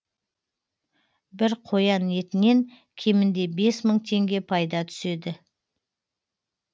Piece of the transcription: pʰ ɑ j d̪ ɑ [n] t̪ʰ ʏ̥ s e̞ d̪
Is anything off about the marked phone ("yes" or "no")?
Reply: yes